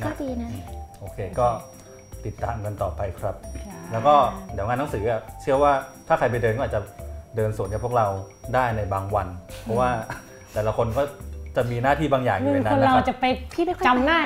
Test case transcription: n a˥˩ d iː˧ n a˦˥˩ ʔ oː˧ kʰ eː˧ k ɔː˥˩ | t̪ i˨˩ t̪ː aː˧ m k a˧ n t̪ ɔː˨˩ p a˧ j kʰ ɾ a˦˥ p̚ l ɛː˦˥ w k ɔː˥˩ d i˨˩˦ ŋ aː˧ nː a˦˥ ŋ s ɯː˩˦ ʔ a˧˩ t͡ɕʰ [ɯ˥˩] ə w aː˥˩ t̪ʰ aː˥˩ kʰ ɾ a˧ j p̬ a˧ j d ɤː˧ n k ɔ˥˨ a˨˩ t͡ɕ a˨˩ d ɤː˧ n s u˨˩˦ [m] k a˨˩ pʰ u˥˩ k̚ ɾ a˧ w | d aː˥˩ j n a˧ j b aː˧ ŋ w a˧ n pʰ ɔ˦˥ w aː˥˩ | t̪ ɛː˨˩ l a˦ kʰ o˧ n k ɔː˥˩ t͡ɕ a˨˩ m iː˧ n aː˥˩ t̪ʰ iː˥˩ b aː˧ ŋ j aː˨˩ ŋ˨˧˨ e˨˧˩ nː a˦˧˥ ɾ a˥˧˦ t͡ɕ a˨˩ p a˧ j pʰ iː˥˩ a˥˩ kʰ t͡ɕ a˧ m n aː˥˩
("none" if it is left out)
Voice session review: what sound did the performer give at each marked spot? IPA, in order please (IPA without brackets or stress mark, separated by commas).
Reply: ɯ˥˩, n